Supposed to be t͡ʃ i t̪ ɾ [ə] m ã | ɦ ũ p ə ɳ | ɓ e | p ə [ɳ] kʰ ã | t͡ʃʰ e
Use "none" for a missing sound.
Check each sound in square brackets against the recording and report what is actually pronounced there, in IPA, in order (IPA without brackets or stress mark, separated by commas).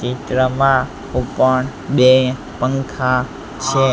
ə, ŋ